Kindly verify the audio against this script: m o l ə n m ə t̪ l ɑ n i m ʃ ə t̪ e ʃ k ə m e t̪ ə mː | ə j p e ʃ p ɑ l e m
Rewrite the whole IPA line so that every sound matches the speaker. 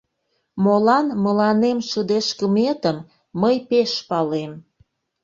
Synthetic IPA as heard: m o l ɑ n m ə l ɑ n e m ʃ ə d̪ e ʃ k ə m e t̪ ə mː | ə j p e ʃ p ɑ l e m

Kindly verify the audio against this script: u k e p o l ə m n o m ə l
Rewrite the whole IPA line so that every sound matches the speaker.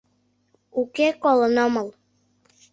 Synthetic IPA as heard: u k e k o l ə n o m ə l

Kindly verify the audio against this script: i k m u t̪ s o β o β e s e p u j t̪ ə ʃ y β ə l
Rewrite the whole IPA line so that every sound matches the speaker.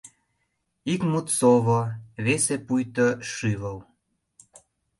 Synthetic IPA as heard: i k m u t̪ s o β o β e s e p u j t̪ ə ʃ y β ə l

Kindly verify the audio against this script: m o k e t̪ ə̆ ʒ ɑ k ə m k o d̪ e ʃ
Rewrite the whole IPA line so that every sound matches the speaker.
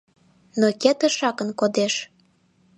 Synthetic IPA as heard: n o k e t̪ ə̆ ʃ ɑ k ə n k o d̪ e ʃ

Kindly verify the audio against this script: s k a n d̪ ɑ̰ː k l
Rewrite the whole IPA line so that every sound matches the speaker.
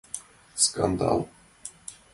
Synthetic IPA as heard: s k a n d̪ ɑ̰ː l

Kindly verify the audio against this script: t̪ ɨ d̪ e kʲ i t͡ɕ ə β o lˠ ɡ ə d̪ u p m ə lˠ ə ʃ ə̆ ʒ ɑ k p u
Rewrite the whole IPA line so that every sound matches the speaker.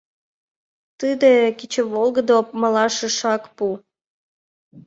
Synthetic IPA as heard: t̪ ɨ d̪ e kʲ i t͡ɕ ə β o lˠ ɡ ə d̪ o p m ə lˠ ɑ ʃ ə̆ ʃ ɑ k p u

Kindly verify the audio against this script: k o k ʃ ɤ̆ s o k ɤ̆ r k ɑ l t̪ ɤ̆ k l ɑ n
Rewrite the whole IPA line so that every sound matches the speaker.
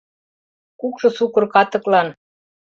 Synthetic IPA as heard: k u k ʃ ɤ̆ s u k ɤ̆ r k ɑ t̪ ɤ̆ k l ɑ n

